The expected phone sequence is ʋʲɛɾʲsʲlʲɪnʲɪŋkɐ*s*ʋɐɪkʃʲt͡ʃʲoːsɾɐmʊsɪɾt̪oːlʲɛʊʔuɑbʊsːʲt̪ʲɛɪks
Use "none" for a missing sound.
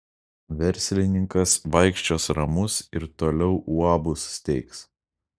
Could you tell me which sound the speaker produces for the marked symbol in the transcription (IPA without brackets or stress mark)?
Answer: s